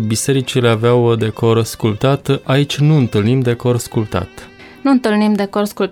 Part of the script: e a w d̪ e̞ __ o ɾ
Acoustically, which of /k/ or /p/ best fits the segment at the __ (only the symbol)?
k